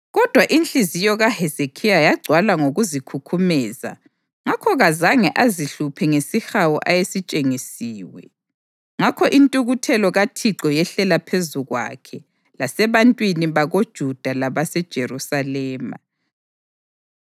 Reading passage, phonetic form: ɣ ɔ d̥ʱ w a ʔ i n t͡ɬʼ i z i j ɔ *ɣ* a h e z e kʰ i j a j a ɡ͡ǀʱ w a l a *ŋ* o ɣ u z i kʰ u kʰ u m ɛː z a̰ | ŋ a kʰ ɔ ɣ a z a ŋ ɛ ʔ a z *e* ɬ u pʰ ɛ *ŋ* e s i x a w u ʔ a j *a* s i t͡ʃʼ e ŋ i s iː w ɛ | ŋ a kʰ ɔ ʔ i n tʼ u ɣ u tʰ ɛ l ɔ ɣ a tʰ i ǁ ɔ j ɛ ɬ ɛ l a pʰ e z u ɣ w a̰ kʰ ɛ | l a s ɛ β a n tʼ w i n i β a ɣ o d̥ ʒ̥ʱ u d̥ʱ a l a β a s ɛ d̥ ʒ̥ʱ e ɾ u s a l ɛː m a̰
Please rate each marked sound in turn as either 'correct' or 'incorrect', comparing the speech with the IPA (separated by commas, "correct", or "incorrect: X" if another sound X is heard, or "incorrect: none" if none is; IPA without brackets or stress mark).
correct, correct, incorrect: i, correct, incorrect: e